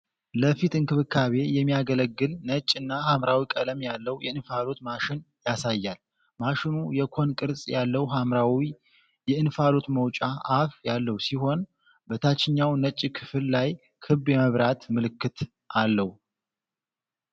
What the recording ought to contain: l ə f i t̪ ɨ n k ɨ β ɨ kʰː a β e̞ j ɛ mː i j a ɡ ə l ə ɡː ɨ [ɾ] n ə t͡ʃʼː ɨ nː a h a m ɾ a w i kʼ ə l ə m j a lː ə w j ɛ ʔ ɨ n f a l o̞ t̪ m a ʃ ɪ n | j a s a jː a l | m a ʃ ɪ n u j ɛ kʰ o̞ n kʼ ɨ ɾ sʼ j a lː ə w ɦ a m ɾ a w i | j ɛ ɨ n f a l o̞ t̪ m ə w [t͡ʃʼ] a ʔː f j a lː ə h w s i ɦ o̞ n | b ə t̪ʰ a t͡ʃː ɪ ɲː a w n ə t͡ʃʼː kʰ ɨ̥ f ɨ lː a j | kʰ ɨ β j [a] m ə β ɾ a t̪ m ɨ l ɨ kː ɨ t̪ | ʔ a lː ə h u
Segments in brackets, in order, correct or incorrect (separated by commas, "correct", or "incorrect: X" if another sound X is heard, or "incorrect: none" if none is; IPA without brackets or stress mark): incorrect: l, correct, incorrect: ɛ